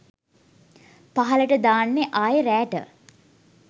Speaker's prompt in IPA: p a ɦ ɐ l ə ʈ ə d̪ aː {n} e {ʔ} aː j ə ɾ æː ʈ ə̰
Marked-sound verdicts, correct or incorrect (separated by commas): incorrect, correct